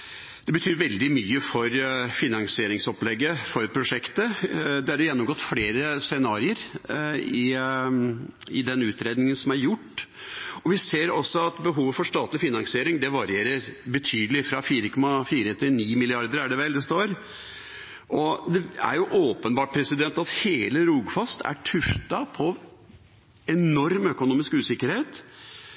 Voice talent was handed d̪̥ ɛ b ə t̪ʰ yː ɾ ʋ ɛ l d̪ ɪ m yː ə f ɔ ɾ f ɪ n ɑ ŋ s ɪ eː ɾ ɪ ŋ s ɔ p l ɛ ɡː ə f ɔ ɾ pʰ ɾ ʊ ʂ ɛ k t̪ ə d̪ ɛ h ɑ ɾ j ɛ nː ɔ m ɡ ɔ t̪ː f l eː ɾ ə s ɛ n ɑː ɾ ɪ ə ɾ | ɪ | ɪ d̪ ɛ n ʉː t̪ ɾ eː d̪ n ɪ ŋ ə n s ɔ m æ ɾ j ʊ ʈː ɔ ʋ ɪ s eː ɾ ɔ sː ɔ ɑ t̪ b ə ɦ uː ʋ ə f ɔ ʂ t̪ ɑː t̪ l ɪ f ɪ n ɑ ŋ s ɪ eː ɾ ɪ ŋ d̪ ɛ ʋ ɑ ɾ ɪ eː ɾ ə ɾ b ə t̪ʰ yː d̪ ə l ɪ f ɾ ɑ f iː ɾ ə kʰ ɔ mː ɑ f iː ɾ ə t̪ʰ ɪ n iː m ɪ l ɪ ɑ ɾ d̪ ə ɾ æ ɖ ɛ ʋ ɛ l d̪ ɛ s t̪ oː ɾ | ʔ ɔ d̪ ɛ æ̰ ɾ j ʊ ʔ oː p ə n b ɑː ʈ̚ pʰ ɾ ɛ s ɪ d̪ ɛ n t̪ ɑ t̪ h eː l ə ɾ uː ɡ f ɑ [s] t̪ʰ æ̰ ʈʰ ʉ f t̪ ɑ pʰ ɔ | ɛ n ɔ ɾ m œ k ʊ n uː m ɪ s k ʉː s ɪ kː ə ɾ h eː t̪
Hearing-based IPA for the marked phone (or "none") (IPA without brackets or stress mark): s